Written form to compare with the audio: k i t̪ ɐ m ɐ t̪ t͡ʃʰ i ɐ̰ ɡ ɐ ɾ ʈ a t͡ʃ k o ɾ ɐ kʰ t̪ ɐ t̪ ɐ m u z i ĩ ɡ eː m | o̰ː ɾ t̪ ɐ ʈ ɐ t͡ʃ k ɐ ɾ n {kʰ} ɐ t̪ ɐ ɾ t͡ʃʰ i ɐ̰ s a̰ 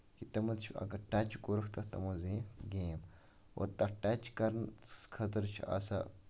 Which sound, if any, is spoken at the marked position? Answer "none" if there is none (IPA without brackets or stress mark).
kʰ